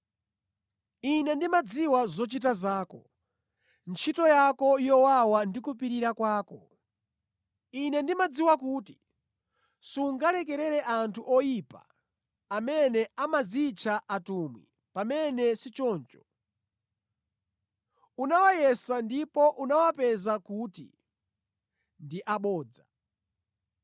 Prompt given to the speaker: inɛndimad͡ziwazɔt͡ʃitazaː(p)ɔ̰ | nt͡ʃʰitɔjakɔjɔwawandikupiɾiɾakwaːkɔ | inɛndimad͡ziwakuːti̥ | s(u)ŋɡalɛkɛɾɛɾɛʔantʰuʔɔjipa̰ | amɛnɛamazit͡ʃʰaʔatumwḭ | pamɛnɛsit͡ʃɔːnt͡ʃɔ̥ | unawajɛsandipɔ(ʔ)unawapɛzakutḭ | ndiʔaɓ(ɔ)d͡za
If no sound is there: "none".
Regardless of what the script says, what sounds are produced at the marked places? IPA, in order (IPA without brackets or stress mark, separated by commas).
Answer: k, u, ʔ, ɔː